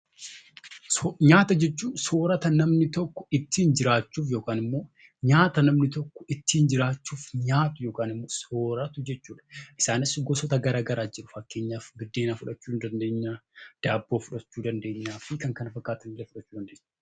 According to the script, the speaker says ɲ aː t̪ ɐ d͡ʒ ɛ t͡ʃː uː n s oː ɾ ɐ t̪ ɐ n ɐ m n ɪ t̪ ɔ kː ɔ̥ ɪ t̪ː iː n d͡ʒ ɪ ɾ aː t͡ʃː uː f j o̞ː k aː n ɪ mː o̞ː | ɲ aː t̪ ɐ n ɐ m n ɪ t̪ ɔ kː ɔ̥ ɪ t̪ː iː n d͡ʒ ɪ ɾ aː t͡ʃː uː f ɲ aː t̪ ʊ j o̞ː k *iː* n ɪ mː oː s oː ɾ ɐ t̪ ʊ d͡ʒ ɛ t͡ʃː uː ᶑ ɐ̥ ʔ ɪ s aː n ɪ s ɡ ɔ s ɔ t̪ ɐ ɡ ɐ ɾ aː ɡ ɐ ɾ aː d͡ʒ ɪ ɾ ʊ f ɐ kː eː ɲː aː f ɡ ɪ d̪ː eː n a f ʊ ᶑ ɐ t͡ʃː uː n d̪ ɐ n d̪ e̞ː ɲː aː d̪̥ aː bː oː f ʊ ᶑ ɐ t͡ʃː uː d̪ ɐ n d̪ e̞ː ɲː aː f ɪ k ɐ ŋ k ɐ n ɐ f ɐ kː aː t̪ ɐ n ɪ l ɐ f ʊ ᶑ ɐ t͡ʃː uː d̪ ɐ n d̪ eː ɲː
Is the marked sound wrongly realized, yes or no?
yes